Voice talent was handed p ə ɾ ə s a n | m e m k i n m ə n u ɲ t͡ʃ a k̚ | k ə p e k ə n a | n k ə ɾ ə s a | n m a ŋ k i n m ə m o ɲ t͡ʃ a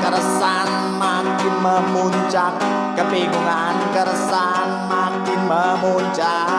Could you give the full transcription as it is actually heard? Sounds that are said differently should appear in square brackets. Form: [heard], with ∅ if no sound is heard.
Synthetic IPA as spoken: [k] ə ɾ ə s a n | m [a] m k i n m ə [m] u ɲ t͡ʃ a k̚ | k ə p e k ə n a | n k ə ɾ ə s a | n m a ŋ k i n m ə m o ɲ t͡ʃ a